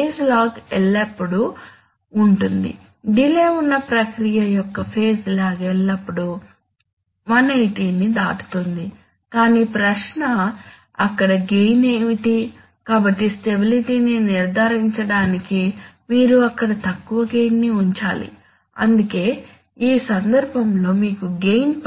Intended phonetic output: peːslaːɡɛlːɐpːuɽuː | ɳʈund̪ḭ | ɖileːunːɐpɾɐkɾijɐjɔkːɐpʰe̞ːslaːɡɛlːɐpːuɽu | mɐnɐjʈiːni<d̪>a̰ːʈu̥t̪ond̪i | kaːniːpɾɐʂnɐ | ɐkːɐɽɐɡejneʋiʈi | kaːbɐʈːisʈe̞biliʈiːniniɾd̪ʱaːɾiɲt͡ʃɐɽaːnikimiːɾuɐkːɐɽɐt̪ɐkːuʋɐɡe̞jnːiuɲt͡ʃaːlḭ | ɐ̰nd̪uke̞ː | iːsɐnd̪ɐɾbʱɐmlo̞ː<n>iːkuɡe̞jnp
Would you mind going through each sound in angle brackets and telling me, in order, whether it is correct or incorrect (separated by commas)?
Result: correct, incorrect